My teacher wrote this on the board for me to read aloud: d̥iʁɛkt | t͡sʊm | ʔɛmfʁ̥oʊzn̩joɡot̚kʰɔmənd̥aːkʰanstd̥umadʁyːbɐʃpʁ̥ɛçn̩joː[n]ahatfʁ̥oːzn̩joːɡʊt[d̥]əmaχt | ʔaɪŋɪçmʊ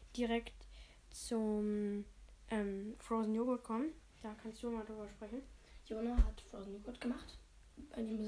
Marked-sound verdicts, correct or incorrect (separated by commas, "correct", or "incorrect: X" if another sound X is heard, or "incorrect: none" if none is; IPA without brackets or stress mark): correct, incorrect: ɡ̥